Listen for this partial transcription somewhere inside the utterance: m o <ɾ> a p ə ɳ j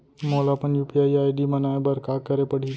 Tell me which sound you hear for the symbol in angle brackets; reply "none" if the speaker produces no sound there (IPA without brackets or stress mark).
l